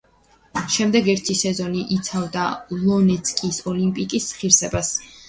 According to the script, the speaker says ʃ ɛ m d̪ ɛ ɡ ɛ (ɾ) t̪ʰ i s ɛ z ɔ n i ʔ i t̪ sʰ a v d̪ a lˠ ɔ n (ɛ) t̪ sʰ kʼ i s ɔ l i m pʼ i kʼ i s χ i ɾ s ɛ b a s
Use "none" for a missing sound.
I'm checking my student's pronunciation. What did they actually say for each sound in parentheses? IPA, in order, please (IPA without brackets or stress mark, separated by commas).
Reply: ɾ, ɛ